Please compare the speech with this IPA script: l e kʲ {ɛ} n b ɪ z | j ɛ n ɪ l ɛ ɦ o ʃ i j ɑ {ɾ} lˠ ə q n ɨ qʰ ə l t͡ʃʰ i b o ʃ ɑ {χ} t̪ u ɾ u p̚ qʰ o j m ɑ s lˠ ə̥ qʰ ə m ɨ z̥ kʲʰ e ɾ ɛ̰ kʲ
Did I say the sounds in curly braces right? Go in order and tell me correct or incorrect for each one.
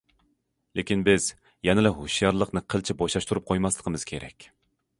incorrect, correct, incorrect

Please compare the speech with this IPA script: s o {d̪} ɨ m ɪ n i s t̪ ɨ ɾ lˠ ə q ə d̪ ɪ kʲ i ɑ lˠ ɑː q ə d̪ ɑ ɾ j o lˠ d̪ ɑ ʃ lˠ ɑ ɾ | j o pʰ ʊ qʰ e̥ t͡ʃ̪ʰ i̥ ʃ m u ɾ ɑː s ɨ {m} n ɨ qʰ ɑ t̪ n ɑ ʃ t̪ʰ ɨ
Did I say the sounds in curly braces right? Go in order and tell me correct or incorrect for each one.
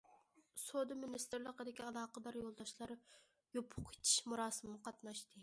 correct, correct

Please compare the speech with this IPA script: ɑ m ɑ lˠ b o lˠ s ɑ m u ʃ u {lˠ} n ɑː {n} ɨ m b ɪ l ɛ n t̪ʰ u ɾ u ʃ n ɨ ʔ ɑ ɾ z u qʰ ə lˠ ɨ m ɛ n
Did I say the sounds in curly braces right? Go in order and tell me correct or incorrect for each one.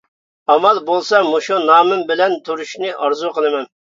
incorrect, incorrect

